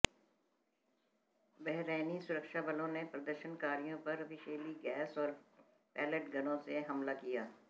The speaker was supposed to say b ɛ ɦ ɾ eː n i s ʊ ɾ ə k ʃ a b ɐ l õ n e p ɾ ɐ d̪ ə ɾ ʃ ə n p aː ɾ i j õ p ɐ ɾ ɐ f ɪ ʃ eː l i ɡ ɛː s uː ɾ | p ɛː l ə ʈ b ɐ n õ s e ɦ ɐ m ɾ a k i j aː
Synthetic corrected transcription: b ɛ ɦ ɾ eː n i s ʊ ɾ ə k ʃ a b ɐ l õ n e p ɾ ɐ d̪ ə ɾ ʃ ə n k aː ɾ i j õ p ɐ ɾ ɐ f ɪ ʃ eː l i ɡ ɛː s ɔː ɾ | p ɛː l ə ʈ ɡ ɐ n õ s e ɦ ɐ m l a k i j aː

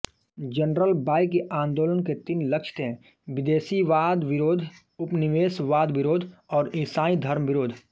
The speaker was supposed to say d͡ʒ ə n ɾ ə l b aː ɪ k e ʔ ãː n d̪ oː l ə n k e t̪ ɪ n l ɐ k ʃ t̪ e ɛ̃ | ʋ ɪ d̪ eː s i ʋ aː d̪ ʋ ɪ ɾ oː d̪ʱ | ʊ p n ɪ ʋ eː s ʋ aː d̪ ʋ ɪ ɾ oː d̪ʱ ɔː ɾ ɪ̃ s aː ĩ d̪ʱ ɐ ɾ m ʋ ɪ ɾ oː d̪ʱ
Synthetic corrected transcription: d͡ʒ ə n ɾ ə l b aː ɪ k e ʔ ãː n d̪ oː l ə n k e t̪ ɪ n l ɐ k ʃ t̪ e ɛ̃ | ʋ ɪ d̪ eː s i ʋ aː d̪ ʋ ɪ ɾ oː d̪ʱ | ʊ p n ɪ ʋ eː s ʋ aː d̪ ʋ ɪ ɾ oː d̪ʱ ɔː ɾ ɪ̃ s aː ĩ d̪ʱ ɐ ɾ m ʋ ɪ ɾ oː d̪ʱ

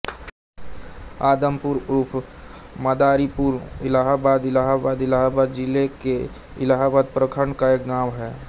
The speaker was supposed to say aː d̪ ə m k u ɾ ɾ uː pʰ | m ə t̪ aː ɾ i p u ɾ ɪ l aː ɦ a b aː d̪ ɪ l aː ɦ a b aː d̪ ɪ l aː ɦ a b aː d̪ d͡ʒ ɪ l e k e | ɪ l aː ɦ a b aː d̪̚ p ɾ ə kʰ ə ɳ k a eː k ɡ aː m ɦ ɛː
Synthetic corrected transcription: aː d̪ ə m p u ɾ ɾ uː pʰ | m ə d̪ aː ɾ i p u ɾ ɪ l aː ɦ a b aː d̪ ɪ l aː ɦ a b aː d̪ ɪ l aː ɦ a b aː d̪ d͡ʒ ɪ l e k e | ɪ l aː ɦ a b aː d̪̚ p ɾ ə kʰ ə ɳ k a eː k ɡ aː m ɦ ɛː

